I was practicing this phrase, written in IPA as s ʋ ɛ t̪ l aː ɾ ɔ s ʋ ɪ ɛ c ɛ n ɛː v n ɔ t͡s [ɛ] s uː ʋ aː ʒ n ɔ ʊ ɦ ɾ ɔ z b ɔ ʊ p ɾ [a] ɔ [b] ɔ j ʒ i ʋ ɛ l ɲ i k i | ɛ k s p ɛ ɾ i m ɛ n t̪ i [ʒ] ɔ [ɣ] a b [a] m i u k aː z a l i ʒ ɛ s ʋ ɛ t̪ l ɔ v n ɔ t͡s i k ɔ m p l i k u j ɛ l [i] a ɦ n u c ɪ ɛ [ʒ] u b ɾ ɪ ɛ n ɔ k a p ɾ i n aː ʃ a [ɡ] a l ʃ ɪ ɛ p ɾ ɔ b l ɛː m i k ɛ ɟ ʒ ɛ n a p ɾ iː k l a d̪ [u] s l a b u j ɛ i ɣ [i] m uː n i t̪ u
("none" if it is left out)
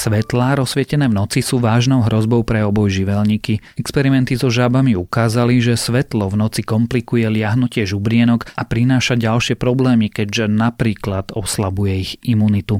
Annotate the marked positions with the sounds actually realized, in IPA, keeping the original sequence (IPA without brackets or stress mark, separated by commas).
i, ɛ, b, z, ʒ, a, ɪ, ʒ, ɟ, ɔ, i